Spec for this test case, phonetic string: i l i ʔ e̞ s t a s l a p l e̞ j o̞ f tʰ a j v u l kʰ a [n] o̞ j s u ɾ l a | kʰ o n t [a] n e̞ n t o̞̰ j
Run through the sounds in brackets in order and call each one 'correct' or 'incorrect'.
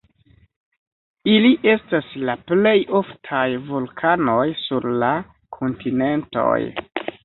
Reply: correct, incorrect: i

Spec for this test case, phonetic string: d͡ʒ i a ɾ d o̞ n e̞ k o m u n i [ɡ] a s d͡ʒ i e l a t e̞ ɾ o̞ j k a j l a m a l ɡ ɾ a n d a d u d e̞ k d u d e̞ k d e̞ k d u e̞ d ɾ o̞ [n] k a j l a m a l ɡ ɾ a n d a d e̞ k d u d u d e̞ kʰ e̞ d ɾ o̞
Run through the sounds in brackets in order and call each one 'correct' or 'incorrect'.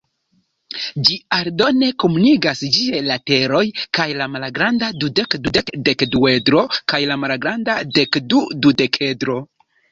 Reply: correct, incorrect: none

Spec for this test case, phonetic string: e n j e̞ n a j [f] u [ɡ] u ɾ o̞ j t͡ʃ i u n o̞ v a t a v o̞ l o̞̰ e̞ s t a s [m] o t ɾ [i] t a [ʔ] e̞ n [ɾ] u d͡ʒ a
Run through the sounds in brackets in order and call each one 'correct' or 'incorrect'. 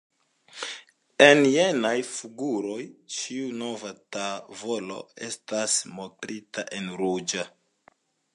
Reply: correct, correct, correct, correct, correct, correct

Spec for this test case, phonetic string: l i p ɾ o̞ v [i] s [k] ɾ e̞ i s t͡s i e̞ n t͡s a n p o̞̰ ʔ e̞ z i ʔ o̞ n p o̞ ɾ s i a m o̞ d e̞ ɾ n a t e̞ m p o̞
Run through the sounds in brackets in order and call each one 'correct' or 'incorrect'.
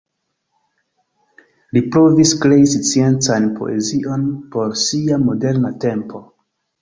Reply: correct, correct

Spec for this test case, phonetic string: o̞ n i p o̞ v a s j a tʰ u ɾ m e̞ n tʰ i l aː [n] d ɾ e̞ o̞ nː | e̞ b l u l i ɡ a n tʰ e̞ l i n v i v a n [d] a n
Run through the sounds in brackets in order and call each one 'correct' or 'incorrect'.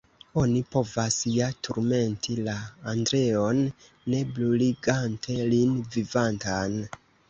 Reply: correct, incorrect: t

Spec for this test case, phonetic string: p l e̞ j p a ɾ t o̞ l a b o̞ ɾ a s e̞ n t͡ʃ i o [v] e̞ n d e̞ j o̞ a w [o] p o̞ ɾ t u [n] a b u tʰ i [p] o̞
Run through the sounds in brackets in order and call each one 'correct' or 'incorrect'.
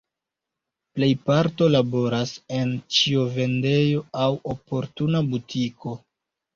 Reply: correct, correct, correct, incorrect: k

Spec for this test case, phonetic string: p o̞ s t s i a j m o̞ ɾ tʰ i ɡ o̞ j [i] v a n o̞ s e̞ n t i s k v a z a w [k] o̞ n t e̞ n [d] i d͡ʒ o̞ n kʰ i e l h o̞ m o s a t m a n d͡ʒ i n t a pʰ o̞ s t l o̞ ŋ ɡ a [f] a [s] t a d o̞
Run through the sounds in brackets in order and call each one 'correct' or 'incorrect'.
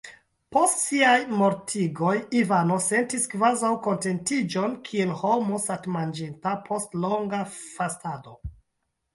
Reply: correct, correct, incorrect: t, correct, correct

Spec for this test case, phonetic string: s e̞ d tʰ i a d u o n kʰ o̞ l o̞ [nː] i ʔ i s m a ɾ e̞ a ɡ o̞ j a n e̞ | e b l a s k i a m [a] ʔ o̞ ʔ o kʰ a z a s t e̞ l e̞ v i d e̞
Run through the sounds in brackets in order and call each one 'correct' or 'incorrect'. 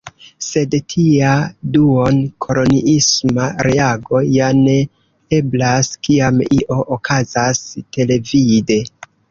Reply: incorrect: n, incorrect: i

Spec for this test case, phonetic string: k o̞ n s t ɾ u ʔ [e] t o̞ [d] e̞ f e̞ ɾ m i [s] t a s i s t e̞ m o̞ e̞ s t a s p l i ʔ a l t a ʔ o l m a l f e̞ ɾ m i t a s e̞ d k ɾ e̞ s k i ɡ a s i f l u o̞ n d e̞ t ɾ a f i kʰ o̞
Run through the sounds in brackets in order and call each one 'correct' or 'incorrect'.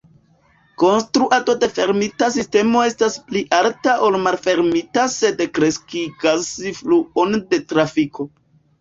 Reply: incorrect: a, correct, incorrect: none

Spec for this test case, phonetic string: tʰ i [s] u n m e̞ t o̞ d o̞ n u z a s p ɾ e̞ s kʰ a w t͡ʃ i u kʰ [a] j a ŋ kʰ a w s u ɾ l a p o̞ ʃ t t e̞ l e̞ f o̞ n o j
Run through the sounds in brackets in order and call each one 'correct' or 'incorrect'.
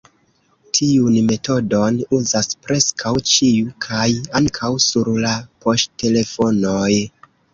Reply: incorrect: none, correct

